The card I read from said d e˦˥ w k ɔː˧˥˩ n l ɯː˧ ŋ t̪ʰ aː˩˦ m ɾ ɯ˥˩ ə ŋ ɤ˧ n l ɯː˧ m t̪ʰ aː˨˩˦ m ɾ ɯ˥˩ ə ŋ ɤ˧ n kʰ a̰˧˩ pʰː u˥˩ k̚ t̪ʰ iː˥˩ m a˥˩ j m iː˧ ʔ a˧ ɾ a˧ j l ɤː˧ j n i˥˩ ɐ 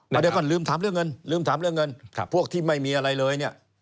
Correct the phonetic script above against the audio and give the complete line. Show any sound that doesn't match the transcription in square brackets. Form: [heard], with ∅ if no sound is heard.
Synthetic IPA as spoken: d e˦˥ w k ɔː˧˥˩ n l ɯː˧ [m] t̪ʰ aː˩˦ m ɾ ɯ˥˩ ə ŋ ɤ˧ n l ɯː˧ m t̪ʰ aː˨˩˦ m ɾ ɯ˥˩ ə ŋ ɤ˧ n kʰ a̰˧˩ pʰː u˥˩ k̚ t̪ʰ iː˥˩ m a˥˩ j m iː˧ ʔ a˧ ɾ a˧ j l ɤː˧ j n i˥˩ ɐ